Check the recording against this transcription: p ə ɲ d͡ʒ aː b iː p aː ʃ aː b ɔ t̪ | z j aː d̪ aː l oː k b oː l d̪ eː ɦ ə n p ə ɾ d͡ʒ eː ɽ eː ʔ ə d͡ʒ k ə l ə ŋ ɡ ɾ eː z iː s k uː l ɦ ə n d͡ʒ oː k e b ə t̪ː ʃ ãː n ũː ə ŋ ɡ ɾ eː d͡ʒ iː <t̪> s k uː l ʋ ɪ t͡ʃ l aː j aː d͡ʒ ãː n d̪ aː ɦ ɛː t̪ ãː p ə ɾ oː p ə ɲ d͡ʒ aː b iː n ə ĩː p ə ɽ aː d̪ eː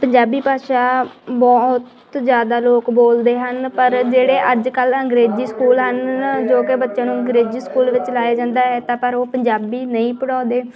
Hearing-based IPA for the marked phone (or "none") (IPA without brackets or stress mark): none